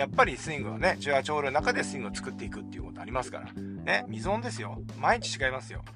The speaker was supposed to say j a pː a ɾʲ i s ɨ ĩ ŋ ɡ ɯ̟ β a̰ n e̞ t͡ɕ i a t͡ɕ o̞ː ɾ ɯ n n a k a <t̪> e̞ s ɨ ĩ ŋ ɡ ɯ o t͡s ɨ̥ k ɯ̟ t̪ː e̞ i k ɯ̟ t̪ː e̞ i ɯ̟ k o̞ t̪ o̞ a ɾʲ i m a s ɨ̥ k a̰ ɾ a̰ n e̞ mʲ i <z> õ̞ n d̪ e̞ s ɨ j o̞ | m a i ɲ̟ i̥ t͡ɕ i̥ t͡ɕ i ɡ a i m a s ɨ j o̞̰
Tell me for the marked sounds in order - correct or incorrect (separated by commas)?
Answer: incorrect, correct